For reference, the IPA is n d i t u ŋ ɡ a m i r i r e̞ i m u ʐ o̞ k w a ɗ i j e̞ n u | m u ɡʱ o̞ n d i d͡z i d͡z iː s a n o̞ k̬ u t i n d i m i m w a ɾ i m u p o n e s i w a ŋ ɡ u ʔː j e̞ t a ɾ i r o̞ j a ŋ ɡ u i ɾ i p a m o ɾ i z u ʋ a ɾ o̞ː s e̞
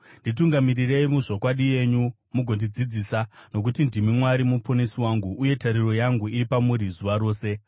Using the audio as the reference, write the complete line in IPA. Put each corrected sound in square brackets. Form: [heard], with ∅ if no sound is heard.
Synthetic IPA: n d i t u ŋ ɡ a m i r i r e̞ i m u ʐ o̞ k w a ɗ i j e̞ [ɲ] u | m u ɡʱ o̞ n d i d͡z i d͡z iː s a n o̞ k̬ u t i n d i m i m w a ɾ i m u p o n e s i w a ŋ ɡ u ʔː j e̞ t a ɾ i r o̞ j a ŋ ɡ u i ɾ i p a m [u] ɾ i z u ʋ a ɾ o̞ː s e̞